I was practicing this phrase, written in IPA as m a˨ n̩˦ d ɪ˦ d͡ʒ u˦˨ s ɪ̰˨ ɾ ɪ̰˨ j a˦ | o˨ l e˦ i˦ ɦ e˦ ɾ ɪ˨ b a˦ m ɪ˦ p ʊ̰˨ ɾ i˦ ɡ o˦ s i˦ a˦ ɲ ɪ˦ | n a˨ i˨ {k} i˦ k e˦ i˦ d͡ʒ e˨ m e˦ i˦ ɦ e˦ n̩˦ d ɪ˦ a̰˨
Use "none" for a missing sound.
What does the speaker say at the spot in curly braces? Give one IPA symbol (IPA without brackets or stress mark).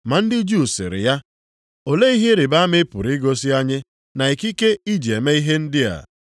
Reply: k